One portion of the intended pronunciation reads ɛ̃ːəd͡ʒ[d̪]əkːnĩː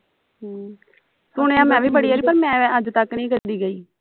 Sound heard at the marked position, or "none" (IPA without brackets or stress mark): t̪